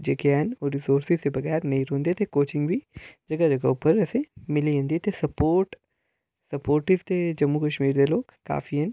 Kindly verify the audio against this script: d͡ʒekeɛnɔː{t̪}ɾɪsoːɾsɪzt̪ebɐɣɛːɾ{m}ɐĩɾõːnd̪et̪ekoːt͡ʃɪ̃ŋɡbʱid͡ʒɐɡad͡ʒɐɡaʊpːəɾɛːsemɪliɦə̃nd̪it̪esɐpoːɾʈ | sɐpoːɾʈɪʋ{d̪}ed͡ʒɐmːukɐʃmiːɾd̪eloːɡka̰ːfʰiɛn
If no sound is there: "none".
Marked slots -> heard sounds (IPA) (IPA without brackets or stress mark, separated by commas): none, n, t̪